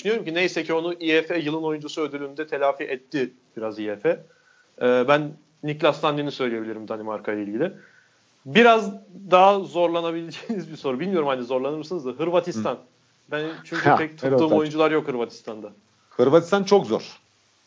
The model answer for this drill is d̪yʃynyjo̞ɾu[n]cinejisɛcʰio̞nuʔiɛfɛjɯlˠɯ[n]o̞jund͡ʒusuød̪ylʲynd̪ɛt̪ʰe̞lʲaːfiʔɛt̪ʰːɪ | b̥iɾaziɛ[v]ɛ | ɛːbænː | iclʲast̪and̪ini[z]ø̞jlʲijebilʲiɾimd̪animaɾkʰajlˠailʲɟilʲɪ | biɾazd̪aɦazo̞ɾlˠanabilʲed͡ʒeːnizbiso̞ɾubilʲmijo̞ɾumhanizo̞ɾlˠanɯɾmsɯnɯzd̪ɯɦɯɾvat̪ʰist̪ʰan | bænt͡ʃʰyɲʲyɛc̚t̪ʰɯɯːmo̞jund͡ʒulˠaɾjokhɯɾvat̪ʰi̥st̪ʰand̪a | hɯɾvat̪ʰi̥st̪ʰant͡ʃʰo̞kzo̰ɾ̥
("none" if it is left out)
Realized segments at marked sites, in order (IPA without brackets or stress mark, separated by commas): m, n, f, s